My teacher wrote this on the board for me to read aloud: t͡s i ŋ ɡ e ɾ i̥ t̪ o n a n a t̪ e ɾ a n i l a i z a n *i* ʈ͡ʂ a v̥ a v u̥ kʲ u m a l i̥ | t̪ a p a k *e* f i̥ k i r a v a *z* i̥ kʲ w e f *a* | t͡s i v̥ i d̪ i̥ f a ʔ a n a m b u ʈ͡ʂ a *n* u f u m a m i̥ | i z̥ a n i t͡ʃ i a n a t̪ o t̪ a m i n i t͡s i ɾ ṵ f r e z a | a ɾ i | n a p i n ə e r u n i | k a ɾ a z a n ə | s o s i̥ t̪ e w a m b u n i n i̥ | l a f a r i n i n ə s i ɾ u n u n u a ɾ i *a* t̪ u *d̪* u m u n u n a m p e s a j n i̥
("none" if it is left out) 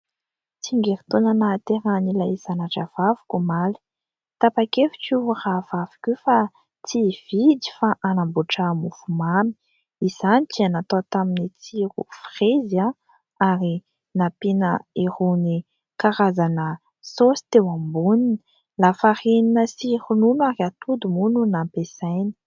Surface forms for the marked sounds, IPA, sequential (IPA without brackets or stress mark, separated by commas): a, e, v, a, m, a, d̪